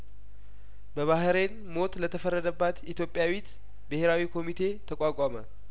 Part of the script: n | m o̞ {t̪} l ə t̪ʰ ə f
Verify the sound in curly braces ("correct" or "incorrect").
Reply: correct